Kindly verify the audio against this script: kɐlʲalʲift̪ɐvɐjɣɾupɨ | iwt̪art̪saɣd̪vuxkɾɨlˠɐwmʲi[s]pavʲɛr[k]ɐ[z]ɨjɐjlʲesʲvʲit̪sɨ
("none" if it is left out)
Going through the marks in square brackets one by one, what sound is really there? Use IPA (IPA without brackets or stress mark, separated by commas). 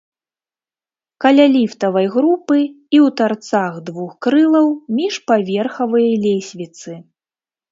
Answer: ʂ, x, v